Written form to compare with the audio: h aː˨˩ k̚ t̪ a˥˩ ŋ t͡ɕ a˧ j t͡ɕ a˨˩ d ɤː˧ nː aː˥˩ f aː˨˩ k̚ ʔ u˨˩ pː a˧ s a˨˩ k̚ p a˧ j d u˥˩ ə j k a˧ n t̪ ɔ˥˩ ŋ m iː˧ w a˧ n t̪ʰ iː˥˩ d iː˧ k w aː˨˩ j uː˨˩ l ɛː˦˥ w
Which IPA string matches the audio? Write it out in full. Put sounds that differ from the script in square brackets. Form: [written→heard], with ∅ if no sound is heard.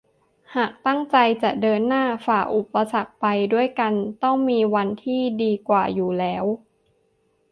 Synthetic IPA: h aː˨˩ k̚ t̪ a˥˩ ŋ t͡ɕ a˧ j t͡ɕ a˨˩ d ɤː˧ nː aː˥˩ f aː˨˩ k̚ ʔ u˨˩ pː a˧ s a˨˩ k̚ p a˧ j d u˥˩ ə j k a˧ n t̪ ɔ˥˩ ŋ m iː˧ w a˧ n t̪ʰ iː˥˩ d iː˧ k w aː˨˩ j uː˨˩ l ɛː˦˥ w